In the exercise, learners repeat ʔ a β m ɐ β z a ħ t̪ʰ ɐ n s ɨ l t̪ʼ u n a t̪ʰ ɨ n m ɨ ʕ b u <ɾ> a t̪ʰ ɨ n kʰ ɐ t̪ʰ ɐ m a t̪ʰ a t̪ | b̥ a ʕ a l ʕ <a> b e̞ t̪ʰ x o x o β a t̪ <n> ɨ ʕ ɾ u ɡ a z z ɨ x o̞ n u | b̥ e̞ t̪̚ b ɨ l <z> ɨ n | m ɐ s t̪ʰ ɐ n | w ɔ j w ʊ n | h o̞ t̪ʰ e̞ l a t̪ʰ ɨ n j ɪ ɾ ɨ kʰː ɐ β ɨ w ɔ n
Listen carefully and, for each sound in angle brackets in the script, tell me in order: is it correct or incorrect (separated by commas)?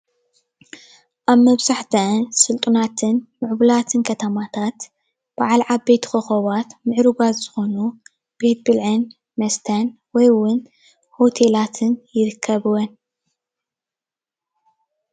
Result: incorrect, correct, incorrect, incorrect